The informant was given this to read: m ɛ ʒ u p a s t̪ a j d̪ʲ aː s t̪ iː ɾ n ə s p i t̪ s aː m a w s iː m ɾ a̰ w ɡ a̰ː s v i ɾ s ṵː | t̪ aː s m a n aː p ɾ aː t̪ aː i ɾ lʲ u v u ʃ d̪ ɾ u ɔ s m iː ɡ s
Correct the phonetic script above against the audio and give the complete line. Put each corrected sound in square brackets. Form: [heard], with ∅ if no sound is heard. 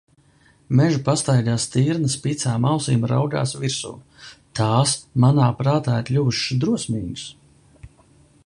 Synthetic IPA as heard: m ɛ ʒ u p a s t̪ a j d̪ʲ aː s t̪ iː ɾ n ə s p i t̪ s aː m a w s iː m ɾ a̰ w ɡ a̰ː s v i ɾ s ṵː | t̪ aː s m a n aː p ɾ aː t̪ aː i ɾ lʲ u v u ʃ d̪ ɾ u ɔ s m iː ɡ s